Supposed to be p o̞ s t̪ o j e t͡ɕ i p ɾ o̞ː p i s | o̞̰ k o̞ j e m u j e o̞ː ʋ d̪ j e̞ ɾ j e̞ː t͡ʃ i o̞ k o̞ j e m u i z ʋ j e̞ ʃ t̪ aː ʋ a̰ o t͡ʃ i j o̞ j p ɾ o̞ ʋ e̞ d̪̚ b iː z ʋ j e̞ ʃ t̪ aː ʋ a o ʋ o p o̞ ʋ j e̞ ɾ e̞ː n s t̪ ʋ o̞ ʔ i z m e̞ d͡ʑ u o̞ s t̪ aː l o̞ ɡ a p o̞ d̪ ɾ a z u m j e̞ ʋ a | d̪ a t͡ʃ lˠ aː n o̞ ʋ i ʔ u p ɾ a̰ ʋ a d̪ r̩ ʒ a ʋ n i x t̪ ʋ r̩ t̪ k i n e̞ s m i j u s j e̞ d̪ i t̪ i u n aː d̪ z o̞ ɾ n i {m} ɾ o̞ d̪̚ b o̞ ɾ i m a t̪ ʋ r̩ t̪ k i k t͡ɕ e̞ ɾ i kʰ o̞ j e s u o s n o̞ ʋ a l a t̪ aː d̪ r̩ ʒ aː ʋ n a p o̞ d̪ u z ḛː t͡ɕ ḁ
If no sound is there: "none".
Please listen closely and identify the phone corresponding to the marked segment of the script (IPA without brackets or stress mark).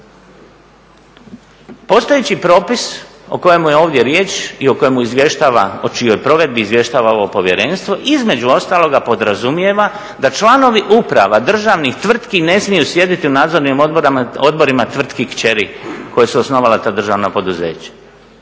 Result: m